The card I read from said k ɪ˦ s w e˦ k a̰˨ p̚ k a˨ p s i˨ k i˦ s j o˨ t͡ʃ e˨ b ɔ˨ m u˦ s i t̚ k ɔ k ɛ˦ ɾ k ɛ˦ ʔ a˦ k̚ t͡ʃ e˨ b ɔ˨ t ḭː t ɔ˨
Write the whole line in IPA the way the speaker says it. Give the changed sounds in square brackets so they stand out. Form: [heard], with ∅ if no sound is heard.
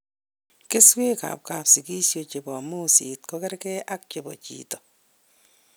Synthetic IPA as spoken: k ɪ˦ s w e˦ k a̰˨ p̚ k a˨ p s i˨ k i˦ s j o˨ t͡ʃ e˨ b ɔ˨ m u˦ s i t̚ k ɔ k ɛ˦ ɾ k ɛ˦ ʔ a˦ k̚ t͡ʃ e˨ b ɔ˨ [t͡ʃ] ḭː t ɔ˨